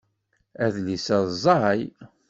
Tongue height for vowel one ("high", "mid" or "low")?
low